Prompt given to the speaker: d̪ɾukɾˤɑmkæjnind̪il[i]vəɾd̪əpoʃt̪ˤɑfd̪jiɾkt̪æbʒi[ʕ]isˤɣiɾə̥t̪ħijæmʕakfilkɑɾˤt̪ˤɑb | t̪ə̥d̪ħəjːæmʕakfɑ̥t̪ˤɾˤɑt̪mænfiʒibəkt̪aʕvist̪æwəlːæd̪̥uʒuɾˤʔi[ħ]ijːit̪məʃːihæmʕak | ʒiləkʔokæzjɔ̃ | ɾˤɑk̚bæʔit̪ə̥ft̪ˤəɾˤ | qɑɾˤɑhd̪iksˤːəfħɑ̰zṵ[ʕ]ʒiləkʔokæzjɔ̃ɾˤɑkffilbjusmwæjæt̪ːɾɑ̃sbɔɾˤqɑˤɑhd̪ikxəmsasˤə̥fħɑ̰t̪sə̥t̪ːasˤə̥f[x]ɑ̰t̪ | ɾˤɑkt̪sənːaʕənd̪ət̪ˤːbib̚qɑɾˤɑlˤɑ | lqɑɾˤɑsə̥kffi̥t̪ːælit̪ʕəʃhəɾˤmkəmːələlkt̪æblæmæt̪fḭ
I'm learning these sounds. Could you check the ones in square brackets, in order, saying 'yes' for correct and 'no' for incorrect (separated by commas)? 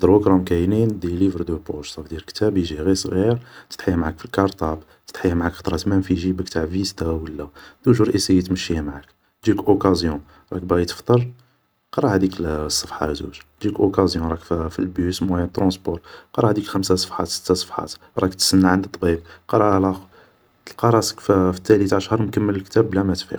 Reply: yes, no, no, no, no